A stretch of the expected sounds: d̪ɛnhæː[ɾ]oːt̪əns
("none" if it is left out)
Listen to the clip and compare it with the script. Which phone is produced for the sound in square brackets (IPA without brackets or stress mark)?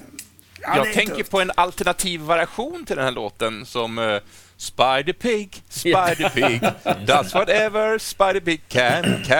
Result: ɭ